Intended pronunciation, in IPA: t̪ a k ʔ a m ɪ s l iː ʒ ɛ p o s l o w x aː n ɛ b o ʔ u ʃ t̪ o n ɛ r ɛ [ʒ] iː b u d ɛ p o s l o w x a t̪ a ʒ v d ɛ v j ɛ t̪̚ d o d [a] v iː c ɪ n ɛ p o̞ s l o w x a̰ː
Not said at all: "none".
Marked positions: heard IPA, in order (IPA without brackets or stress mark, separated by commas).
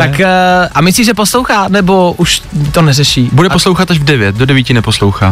ʃ, ɛ